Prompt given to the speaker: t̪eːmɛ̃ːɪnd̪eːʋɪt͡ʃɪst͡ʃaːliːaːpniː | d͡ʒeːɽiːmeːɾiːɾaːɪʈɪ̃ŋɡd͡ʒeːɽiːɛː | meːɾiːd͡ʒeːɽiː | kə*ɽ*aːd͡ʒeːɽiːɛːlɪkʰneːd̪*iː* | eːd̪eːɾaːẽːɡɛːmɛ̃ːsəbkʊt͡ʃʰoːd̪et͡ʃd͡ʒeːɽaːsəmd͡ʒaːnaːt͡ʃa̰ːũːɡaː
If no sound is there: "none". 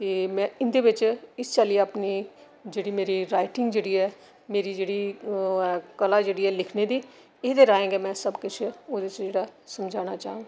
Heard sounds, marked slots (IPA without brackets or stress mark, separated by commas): l, iː